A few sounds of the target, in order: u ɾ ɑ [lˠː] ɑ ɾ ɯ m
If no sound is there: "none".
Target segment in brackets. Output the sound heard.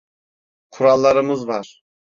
lˠː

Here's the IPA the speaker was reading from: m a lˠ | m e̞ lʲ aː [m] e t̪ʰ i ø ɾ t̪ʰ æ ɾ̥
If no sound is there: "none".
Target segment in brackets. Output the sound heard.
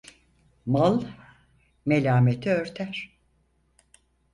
m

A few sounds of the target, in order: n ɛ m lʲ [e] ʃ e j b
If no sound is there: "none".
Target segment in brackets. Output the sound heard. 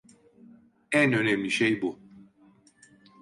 i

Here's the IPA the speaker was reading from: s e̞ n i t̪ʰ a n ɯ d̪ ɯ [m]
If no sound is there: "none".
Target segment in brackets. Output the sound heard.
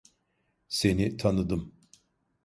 m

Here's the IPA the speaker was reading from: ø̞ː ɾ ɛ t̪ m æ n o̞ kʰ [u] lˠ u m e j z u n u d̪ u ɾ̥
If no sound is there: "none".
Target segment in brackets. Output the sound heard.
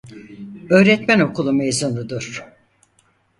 u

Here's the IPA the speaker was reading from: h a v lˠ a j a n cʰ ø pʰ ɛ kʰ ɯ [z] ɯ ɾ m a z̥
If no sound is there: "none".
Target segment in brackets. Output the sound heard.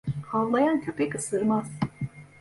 s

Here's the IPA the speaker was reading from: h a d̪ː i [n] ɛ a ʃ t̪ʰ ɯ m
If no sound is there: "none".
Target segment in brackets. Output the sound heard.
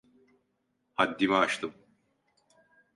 m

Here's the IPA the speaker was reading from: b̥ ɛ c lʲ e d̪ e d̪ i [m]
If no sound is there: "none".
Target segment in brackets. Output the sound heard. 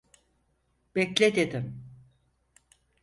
m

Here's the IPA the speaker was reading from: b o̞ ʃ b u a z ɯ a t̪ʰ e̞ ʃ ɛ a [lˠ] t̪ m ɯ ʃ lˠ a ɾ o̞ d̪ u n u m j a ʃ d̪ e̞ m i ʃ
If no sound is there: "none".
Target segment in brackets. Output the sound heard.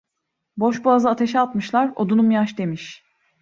none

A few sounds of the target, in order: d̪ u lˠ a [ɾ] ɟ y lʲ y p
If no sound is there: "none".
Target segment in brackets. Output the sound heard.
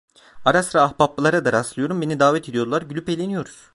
ɾ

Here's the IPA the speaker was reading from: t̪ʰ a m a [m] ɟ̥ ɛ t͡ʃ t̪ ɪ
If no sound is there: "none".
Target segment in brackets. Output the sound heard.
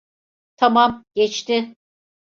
m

